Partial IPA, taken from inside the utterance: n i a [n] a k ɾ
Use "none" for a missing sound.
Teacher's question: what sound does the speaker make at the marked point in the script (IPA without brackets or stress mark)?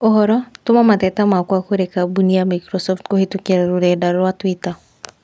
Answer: m